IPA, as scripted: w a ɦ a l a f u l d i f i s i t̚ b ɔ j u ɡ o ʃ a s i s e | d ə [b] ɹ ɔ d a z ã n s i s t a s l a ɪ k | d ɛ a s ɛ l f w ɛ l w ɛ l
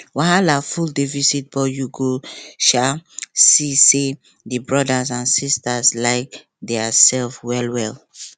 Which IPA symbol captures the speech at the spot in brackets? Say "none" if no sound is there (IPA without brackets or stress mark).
b